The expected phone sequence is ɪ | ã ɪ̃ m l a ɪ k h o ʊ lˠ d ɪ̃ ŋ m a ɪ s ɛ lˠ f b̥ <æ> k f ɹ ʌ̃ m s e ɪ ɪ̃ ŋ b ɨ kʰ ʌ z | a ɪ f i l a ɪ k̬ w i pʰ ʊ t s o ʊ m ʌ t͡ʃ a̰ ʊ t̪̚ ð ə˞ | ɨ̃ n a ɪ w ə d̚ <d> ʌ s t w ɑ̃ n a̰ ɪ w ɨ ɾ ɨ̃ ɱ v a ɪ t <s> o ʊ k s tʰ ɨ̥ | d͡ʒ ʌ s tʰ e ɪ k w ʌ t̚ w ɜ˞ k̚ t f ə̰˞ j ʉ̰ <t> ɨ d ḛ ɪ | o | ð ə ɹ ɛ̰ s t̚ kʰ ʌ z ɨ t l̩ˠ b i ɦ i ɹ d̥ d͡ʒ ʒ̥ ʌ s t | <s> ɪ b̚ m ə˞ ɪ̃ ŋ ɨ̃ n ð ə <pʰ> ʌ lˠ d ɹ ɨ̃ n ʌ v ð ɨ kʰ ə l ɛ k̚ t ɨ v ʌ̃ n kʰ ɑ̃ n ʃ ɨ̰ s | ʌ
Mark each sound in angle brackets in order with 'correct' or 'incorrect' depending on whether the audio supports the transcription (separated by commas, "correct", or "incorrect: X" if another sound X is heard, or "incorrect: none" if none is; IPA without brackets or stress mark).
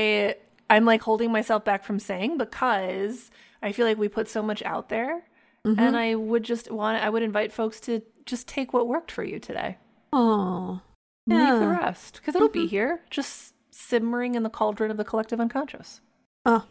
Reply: correct, incorrect: d͡ʒ, incorrect: f, incorrect: tʰ, correct, incorrect: kʰ